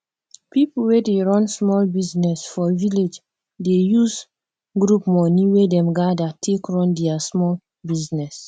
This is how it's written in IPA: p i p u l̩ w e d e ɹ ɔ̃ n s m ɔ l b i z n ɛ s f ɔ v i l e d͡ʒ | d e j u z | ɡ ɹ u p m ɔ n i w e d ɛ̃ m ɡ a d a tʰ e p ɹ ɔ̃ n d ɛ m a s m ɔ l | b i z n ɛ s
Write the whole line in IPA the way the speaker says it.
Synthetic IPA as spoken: p i p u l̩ w e d e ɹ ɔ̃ n s m ɔ l b i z n ɛ s f ɔ v i l e d͡ʒ | d e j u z | ɡ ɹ u p m ɔ n i w e d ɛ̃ m ɡ a d a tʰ e k ɹ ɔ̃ n d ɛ a s m ɔ l | b i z n ɛ s